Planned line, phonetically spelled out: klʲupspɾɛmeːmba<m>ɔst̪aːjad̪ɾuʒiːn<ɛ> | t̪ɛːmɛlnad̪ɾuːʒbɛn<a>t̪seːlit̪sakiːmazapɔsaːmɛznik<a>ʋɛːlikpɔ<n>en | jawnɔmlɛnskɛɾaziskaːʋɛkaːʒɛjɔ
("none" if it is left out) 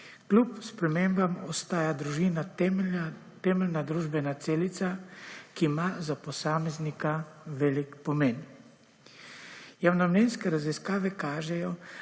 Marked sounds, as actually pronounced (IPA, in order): m, a, a, a, m

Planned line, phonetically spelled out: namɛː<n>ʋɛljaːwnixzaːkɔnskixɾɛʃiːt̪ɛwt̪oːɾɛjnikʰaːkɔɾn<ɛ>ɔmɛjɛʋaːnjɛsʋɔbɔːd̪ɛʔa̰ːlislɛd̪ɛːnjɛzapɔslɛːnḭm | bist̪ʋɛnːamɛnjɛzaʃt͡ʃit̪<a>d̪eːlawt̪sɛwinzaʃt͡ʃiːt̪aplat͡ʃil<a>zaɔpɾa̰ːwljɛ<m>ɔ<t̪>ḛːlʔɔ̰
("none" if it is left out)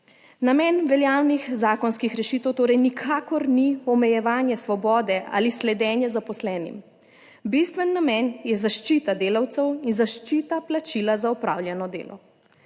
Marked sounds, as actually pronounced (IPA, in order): n, i, a, a, n, d̪

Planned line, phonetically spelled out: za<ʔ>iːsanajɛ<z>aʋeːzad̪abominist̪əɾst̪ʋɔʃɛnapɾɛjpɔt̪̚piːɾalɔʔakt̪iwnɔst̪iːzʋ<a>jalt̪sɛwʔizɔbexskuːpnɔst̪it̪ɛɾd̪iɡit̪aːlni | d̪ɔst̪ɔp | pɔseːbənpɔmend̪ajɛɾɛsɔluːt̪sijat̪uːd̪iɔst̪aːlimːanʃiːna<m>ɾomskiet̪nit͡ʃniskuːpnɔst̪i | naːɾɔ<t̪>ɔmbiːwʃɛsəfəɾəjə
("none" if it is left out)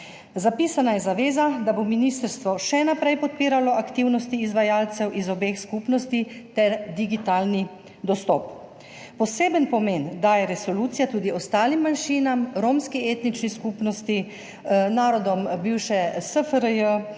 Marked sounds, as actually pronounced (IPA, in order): p, z, a, m, d̪

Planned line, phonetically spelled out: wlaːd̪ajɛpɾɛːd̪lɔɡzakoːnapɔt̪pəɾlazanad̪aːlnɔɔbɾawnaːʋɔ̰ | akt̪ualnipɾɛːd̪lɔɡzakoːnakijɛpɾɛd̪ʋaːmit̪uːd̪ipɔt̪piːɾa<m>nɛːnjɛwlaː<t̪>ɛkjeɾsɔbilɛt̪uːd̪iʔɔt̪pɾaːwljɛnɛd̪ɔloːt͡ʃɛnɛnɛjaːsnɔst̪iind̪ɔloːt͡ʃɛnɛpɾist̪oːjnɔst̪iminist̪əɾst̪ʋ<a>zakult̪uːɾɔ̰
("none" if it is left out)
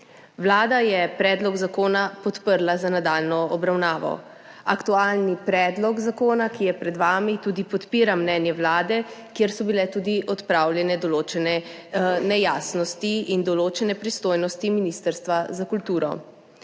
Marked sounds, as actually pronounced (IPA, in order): m, d̪, a

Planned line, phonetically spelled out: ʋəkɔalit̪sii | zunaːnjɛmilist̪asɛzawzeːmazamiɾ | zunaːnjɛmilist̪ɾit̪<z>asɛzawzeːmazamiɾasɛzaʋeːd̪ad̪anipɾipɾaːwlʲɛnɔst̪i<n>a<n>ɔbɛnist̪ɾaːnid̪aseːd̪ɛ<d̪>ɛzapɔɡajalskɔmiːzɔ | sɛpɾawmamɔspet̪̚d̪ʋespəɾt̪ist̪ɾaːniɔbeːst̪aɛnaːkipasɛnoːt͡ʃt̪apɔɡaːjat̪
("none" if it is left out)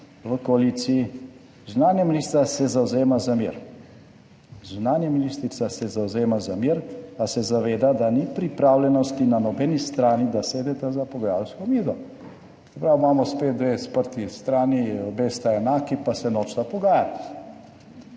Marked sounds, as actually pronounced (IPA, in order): s, n, n, t̪

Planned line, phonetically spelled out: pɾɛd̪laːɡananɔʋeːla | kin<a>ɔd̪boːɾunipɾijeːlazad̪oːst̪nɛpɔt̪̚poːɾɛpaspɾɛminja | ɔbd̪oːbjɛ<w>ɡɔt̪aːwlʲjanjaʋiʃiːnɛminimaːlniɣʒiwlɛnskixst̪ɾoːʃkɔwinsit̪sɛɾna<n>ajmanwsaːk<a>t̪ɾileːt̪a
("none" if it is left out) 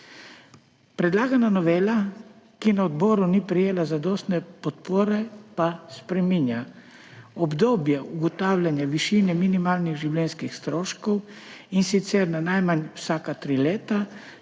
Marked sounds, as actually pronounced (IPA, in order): a, u, n, a

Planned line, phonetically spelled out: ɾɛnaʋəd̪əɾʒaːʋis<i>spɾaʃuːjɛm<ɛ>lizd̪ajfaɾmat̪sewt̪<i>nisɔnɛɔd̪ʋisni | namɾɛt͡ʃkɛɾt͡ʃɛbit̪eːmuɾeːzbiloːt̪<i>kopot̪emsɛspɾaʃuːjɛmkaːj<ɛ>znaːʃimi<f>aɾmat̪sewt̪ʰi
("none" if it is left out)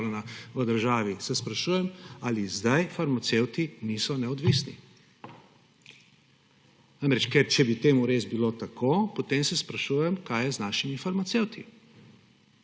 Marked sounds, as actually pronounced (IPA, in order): ɛ, a, i, a, ɛ, f

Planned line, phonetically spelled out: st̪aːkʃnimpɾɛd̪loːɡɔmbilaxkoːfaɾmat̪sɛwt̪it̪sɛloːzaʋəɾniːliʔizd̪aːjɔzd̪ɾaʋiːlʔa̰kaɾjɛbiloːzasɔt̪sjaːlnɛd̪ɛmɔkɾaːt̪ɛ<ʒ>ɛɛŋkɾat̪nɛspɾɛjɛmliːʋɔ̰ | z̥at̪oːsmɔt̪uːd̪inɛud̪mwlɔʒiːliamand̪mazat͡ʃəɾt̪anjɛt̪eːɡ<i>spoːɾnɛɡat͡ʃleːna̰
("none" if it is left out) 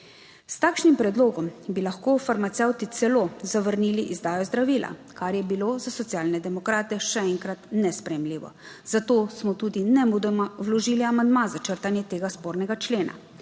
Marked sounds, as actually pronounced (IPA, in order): ʃ, a

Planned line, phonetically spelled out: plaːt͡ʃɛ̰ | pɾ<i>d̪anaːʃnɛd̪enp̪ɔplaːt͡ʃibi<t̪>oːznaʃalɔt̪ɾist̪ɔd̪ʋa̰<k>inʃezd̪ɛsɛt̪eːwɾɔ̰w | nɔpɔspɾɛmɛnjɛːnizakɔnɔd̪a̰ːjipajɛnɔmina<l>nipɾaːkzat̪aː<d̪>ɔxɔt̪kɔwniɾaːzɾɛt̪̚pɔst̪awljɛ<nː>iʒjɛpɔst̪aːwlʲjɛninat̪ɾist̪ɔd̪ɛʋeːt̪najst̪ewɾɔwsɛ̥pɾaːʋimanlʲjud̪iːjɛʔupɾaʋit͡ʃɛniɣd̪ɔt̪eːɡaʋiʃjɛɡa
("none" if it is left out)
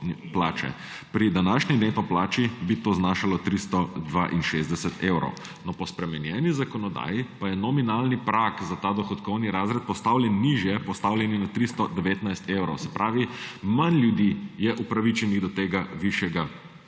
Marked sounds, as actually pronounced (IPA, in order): i, t̪, ʔ, l, d̪, nː

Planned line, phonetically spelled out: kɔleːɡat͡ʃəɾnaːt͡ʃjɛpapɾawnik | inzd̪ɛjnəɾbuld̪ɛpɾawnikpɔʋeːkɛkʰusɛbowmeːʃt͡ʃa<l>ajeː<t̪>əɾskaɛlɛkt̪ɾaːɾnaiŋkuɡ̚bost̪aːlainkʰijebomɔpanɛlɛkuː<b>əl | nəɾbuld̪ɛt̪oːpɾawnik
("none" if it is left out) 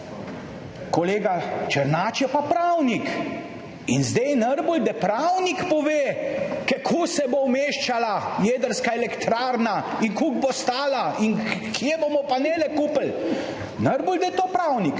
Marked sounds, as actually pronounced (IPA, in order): l, d̪, p

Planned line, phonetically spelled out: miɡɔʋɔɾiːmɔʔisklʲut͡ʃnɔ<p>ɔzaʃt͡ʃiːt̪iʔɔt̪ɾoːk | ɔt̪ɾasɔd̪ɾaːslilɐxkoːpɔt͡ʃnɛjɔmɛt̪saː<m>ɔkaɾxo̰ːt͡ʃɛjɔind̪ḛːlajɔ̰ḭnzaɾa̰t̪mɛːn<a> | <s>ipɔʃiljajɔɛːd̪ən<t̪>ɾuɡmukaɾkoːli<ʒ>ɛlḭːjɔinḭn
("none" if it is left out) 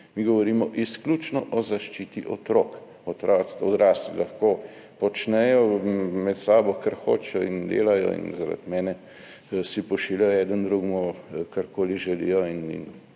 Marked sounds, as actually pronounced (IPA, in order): ʔ, b, ɛ, s, d̪, ʒ

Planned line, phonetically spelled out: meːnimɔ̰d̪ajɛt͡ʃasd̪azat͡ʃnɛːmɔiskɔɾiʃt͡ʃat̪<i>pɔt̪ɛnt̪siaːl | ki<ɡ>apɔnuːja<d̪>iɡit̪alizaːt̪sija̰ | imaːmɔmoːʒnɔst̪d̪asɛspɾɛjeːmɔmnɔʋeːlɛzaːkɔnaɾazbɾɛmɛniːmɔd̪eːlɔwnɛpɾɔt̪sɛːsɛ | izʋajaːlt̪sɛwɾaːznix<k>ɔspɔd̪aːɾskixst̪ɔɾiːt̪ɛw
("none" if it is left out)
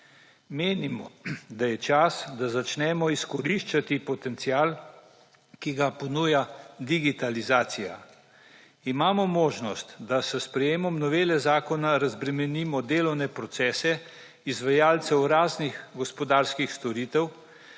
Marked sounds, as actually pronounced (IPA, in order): i, ɡ, d̪, ɡ

